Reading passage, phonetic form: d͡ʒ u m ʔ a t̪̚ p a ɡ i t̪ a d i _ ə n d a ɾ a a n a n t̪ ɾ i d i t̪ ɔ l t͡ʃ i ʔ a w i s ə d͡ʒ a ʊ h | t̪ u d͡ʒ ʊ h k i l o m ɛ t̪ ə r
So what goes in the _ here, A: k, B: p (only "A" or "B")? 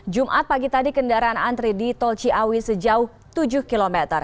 A